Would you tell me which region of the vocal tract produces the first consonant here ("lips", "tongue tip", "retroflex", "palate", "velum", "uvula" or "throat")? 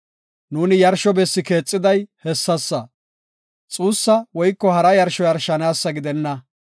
tongue tip